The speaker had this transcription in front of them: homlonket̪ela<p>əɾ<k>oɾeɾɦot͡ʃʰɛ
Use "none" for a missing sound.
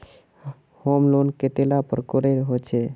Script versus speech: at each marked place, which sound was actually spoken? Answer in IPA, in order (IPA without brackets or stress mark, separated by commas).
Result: p, k